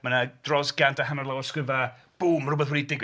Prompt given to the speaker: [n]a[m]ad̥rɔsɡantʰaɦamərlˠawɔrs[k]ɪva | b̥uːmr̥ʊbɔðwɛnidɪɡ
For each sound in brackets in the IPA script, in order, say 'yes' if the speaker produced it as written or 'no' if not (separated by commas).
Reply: no, no, yes